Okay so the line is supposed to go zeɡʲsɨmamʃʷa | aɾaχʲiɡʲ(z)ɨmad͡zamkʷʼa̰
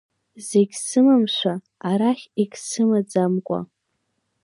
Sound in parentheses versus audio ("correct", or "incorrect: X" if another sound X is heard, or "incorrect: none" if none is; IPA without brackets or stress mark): incorrect: s